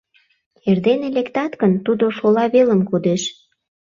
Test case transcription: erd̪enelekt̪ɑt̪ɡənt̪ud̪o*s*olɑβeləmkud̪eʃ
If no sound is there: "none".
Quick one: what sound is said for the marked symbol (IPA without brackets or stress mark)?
ʃ